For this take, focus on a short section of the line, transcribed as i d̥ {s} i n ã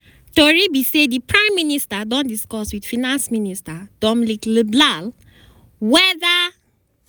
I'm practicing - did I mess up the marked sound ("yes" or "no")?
yes